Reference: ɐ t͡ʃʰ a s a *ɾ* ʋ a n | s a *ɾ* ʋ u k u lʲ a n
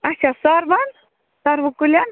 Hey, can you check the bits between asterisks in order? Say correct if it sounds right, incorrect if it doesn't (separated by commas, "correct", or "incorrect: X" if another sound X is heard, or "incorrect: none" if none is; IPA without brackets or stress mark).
correct, correct